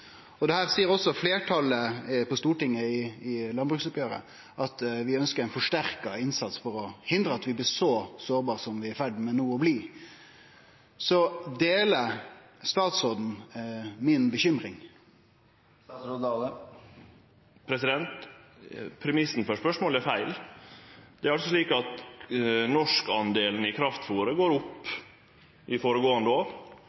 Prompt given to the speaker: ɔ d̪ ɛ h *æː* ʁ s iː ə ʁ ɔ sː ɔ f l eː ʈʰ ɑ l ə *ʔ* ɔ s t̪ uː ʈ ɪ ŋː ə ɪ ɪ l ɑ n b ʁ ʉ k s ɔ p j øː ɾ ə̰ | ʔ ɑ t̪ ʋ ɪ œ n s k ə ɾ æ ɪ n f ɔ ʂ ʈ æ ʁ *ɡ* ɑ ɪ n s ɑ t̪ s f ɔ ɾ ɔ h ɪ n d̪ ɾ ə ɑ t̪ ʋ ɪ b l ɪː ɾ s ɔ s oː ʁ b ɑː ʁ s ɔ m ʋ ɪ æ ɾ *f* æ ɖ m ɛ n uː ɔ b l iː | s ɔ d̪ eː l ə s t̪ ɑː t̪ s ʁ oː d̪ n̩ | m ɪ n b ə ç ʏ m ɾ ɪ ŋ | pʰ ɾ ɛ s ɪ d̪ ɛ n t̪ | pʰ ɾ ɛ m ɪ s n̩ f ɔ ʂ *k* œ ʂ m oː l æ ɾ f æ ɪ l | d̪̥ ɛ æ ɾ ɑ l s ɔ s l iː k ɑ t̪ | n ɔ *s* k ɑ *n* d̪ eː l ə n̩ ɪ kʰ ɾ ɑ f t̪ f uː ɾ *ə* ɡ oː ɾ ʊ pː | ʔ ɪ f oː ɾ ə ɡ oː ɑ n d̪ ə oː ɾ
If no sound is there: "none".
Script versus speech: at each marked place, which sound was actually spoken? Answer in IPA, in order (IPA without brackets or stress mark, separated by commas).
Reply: æː, p, k, f, p, ʂ, n, ə